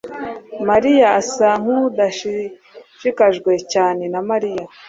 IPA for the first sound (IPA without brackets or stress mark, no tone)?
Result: m